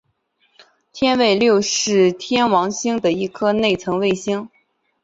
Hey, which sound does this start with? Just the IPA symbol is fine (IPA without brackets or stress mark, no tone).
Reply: t̪ʰ